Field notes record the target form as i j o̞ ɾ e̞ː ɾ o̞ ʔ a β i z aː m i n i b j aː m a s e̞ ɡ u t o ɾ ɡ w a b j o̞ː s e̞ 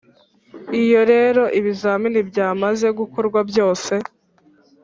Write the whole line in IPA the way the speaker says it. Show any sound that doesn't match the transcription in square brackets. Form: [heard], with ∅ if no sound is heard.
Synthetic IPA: i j o̞ ɾ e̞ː ɾ o̞ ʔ [i] β i z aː m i n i b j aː m a [z] e̞ ɡ u [k] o ɾ ɡ w a b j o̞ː s e̞